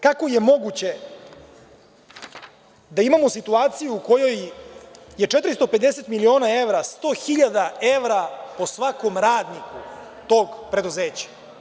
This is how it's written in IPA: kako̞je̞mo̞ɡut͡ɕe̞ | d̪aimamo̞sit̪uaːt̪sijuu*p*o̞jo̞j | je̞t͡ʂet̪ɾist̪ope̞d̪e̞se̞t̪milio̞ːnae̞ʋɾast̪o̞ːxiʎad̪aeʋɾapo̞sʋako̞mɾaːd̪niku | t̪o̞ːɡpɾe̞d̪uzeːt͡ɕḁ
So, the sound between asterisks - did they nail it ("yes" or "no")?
no